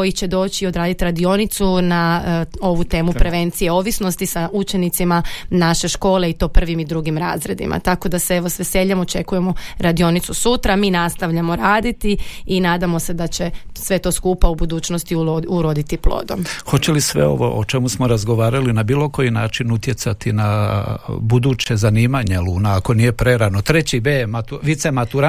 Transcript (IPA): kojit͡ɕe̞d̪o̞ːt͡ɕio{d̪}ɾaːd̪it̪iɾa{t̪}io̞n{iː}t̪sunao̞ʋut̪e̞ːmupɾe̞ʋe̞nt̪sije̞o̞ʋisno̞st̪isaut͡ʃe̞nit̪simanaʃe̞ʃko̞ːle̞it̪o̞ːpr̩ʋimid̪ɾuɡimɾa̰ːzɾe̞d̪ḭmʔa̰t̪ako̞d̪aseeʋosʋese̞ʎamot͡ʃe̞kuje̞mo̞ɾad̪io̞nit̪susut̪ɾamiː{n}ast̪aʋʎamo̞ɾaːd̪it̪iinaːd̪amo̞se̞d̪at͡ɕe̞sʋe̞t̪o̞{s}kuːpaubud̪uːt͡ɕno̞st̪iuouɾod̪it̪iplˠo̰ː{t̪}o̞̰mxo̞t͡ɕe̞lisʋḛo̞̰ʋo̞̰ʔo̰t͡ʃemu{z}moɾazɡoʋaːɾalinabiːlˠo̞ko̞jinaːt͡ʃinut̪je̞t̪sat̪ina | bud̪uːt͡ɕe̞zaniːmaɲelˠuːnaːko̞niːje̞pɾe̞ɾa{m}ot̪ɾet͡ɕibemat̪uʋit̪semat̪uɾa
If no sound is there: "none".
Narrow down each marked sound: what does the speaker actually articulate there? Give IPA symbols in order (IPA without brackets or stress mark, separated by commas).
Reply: d̪, d̪, i, n, s, d̪, s, n